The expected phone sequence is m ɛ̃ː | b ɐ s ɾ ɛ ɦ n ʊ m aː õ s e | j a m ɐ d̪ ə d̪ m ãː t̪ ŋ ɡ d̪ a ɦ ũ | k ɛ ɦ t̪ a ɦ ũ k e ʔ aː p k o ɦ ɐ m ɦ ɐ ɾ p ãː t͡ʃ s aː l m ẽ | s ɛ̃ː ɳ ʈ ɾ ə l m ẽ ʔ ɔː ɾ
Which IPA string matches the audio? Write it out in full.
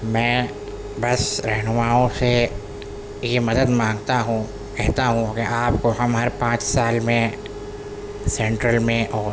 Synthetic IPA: m ɛ̃ː | b ɐ s ɾ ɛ ɦ n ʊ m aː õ s e | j e m ɐ d̪ ə d̪ m ãː ŋ ɡ t̪ a ɦ ũ | k ɛ ɦ t̪ a ɦ ũ k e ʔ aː p k o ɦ ɐ m ɦ ɐ ɾ p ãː t͡ʃ s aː l m ẽ | s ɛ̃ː ɳ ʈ ɾ ə l m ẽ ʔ ɔː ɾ